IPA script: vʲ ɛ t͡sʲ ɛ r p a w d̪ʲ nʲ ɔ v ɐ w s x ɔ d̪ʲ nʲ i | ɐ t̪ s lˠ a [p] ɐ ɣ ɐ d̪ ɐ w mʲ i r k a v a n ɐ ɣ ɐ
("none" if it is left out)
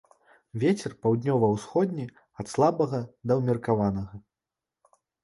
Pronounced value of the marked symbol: b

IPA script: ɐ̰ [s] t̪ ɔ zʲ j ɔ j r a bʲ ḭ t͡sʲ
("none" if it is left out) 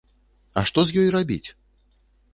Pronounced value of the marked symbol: ʂ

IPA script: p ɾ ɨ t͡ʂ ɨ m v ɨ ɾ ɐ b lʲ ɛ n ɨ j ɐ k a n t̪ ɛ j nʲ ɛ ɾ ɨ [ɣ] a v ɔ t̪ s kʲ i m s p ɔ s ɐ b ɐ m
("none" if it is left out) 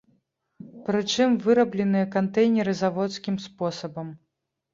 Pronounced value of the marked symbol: z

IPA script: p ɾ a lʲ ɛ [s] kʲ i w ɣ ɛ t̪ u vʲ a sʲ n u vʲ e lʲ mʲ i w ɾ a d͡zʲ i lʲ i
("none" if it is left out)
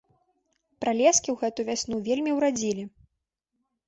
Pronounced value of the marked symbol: s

